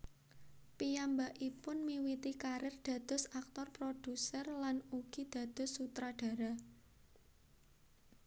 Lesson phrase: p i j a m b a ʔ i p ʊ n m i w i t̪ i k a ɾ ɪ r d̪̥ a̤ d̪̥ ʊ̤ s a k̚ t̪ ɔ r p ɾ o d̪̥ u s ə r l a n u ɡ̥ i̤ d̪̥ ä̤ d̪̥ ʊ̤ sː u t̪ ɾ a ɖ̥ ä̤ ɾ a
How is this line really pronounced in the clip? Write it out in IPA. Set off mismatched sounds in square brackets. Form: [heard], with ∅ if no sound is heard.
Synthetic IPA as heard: p i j a m b a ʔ i p ʊ n m i w i t̪ i k a ɾ ɪ r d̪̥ a̤ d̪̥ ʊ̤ s a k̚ t̪ ɔ r p ɾ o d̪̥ u s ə r l a n u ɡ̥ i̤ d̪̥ ä̤ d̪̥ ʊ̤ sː u t̪ ɾ a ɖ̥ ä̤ ɾ a